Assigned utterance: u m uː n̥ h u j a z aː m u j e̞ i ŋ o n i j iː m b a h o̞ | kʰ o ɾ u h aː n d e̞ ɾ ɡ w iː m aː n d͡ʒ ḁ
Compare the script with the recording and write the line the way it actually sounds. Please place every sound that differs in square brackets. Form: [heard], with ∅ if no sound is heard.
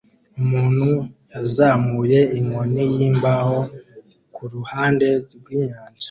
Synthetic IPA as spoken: u m uː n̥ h u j a z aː m u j e̞ i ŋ o n i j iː m b a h o̞ | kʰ [u] ɾ u h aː n d e̞ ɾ ɡ w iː [ɲ] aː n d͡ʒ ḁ